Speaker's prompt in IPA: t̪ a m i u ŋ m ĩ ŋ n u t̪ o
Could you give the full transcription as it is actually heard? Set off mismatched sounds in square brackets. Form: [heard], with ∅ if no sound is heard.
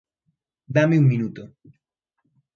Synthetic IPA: [d̪] a m [e] u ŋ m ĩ [∅] n u t̪ o